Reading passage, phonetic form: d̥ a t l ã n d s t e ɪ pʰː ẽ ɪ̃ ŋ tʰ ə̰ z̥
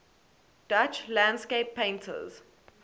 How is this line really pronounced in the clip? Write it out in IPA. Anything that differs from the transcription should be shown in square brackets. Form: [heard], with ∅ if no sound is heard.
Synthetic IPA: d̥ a [t͡ʃ] l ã n d s [k] e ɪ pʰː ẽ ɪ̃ [n] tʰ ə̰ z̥